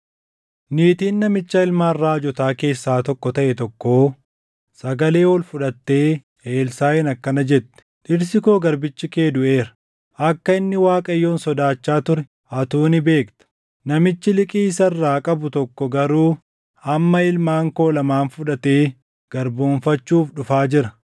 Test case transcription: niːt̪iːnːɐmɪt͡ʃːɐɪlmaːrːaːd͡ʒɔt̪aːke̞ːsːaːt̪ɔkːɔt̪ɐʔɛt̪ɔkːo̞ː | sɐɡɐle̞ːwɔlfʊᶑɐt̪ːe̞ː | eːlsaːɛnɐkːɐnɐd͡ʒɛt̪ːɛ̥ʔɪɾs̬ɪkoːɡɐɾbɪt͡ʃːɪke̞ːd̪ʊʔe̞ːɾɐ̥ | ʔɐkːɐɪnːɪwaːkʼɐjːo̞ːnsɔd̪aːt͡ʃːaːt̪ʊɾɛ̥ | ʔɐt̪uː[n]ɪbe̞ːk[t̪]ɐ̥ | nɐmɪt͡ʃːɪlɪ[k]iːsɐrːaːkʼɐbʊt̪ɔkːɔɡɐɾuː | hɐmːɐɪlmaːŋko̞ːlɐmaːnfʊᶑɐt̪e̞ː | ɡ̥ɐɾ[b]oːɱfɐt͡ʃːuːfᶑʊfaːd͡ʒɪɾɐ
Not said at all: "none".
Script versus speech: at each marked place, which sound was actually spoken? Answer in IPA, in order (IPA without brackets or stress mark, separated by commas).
n, t̪, kʼ, b